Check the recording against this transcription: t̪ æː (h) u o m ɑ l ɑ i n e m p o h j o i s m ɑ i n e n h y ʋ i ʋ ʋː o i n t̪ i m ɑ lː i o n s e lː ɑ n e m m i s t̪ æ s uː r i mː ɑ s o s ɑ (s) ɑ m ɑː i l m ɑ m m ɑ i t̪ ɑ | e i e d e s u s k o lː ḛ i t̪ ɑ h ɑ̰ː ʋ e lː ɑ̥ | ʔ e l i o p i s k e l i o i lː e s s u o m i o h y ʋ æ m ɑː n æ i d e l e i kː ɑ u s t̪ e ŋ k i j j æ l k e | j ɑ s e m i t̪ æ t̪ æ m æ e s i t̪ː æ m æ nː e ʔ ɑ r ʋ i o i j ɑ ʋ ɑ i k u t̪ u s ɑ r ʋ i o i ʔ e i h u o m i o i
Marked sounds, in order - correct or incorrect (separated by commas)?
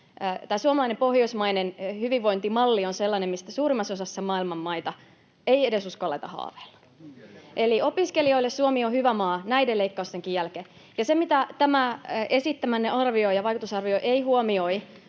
incorrect, incorrect